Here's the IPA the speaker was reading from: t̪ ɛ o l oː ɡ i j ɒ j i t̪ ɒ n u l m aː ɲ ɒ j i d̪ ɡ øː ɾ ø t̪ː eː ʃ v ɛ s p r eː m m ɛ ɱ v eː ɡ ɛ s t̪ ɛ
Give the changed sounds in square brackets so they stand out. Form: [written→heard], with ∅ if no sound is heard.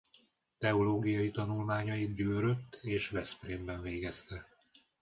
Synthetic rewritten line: t̪ ɛ o l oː ɡ i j ɒ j i t̪ ɒ n u l m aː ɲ ɒ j i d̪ [ɡ→ɟ] øː ɾ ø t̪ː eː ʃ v ɛ s p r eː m [m→b] ɛ ɱ v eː ɡ ɛ s t̪ ɛ